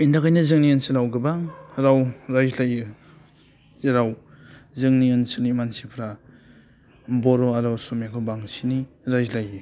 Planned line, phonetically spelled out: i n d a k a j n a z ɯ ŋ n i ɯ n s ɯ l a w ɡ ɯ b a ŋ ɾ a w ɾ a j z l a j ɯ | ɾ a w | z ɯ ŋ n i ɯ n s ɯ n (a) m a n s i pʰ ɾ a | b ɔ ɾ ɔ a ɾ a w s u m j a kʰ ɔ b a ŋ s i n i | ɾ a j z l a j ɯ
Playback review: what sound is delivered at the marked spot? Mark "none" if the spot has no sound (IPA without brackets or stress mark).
i